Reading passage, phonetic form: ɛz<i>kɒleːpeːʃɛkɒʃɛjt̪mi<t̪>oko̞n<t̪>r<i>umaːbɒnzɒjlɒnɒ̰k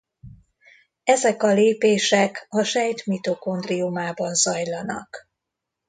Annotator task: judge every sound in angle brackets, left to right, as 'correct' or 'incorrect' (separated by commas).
incorrect, correct, incorrect, correct